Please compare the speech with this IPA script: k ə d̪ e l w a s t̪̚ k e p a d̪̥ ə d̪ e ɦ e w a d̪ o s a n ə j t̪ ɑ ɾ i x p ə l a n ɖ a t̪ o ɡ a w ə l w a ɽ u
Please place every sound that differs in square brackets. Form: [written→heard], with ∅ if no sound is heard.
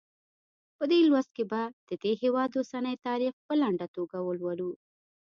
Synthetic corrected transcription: [k→p] ə d̪ e l w a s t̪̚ k e [p→b] a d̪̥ ə d̪ e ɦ e w [a→ɑ] d̪ o s a n ə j t̪ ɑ ɾ i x p ə l a [n→ɳ] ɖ a t̪ o ɡ a w ə l w a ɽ u